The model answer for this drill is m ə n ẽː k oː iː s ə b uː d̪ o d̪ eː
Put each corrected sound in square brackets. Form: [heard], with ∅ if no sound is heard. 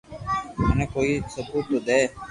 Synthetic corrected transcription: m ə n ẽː k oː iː s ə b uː [t̪] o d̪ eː